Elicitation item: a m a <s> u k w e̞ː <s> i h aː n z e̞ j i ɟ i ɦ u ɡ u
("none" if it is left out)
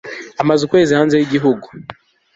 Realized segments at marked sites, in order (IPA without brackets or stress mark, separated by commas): z, z